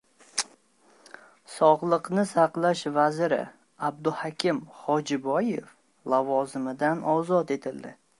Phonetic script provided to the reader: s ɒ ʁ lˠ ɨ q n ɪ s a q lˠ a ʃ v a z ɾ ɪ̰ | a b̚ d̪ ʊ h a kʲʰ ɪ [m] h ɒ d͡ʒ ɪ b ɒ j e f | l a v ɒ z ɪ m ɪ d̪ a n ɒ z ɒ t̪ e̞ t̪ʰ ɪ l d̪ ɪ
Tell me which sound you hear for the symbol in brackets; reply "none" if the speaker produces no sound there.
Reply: m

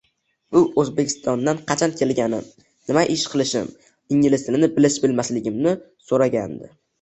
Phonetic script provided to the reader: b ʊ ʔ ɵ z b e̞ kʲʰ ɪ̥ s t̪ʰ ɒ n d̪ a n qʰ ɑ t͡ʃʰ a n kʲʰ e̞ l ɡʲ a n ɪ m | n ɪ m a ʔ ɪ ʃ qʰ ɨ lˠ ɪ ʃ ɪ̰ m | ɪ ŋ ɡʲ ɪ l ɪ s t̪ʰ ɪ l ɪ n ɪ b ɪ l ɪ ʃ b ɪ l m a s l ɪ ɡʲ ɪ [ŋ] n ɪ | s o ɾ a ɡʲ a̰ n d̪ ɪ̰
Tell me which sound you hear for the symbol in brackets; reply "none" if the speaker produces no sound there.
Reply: m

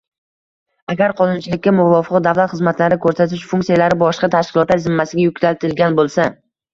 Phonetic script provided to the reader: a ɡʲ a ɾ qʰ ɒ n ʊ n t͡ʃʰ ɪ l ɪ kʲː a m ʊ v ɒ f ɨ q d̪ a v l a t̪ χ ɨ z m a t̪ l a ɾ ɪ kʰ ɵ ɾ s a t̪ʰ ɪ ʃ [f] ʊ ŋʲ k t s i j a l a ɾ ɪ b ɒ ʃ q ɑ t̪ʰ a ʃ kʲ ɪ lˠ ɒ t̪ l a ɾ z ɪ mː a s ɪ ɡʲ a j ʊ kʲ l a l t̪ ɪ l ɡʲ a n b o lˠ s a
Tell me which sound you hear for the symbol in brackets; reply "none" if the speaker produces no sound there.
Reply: f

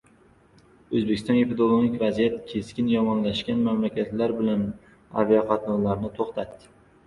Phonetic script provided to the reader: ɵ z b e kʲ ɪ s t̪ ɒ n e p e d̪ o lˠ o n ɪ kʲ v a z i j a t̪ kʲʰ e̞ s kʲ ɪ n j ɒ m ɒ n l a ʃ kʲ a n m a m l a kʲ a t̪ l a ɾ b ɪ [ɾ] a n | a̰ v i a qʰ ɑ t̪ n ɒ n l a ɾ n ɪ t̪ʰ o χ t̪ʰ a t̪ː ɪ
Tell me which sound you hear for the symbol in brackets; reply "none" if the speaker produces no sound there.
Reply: l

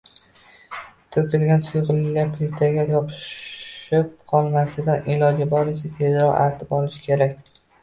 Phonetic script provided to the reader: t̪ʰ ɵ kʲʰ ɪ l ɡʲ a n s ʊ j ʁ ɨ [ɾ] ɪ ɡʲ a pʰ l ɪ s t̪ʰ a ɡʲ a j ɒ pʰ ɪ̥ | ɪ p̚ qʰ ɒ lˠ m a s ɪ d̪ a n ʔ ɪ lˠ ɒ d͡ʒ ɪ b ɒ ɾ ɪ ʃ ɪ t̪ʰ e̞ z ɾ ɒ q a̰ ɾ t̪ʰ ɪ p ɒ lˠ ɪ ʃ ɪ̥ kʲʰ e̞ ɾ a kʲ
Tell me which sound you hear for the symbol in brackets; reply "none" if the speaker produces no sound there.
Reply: l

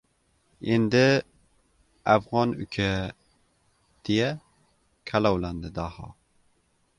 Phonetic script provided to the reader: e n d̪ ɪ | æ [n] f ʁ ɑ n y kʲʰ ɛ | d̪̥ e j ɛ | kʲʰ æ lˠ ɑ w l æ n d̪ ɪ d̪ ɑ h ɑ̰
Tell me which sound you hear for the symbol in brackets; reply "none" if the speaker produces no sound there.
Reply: none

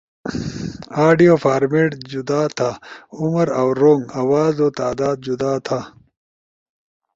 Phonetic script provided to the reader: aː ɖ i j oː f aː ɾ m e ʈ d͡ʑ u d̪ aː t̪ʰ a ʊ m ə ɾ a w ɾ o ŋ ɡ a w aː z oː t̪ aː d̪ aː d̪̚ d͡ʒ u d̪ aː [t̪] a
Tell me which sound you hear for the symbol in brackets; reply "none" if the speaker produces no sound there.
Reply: t̪ʰ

